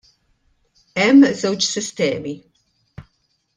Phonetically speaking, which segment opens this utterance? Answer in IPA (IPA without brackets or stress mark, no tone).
ɛ